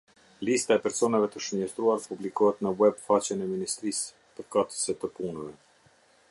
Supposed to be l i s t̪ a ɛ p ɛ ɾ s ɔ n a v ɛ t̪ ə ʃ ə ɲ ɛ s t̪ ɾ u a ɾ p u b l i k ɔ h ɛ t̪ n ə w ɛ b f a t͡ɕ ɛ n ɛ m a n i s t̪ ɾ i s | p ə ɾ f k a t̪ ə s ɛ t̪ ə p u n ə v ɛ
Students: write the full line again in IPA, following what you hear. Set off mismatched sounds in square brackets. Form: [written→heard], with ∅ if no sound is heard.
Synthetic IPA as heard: l i s t̪ a ɛ p ɛ ɾ s ɔ n a v ɛ t̪ ə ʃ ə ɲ ɛ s t̪ ɾ u a ɾ p u b l i k ɔ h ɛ t̪ n ə w ɛ b f a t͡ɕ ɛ n ɛ m [a→i] n i s t̪ ɾ i s | p ə ɾ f k a t̪ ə s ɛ t̪ ə p u n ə v ɛ